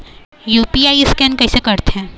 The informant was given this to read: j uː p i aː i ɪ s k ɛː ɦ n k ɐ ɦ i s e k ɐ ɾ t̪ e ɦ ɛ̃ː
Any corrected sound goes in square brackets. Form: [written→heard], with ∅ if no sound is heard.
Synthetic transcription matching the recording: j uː p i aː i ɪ s k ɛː [ɦ→∅] n k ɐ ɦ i s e k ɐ ɾ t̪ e ɦ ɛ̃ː